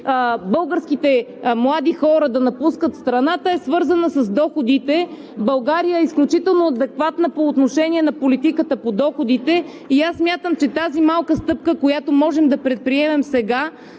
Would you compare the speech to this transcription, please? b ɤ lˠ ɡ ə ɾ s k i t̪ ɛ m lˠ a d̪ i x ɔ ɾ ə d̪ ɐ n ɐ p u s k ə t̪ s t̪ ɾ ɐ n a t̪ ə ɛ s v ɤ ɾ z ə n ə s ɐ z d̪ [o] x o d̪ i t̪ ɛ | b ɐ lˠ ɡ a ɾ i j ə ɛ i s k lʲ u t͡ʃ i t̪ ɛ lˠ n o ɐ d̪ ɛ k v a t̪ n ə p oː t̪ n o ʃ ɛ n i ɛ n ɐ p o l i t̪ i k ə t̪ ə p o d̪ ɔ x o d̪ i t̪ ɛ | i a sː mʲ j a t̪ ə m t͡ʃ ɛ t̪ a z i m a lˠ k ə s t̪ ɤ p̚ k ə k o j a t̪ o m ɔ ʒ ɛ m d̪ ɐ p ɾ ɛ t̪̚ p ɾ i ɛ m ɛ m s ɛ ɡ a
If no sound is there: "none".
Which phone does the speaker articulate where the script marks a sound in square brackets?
ɔ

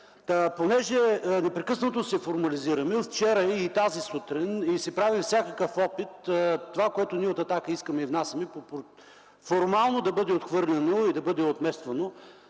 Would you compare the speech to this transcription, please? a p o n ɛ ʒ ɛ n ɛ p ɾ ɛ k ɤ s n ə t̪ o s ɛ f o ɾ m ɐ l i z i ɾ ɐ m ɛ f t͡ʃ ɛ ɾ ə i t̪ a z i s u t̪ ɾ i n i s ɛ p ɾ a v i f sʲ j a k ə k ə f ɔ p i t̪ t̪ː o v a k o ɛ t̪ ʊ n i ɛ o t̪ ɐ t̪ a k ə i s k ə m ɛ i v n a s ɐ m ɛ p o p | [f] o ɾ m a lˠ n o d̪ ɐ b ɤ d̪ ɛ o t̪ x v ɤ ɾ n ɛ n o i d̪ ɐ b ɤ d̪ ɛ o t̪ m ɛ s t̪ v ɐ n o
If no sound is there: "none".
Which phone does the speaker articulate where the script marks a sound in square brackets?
f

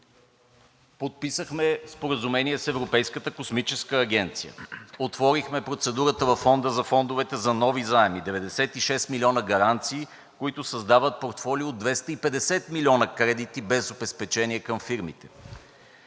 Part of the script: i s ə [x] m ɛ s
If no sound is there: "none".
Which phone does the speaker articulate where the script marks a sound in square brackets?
x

